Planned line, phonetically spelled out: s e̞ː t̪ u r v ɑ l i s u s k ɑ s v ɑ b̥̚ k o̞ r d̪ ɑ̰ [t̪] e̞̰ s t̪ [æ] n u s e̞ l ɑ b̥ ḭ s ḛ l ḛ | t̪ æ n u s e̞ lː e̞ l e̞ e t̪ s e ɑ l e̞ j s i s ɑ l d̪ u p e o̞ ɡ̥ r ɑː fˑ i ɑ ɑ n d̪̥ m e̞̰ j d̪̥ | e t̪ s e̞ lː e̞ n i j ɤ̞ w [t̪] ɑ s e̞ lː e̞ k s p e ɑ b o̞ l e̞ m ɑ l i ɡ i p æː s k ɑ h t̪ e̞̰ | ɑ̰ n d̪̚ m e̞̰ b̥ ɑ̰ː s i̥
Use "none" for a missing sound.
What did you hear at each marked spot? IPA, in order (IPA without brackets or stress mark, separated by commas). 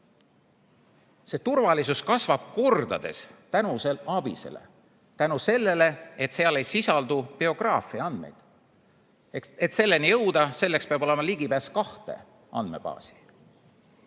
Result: d̪, æ, d̪